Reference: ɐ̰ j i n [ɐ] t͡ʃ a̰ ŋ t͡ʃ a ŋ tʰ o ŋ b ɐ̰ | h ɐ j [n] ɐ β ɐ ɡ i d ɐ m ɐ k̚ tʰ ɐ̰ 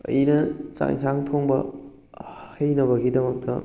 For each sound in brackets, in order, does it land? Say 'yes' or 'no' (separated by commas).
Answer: yes, yes